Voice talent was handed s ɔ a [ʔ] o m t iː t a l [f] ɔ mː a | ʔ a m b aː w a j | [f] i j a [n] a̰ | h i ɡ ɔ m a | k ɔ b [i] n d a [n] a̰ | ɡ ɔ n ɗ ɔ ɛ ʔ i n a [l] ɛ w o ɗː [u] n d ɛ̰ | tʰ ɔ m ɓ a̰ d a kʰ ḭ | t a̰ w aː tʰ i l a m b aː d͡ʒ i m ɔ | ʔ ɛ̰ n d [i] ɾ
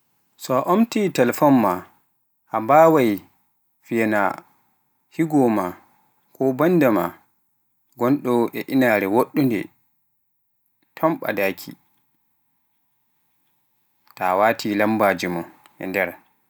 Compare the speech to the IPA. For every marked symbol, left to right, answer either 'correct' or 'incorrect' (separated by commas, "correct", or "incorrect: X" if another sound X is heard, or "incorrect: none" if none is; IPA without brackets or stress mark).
correct, correct, correct, correct, incorrect: a, incorrect: m, incorrect: ɾ, correct, incorrect: ɛ